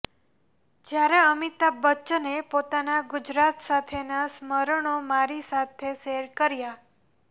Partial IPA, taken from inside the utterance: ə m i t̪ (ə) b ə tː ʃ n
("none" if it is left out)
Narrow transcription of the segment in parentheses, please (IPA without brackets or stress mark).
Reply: a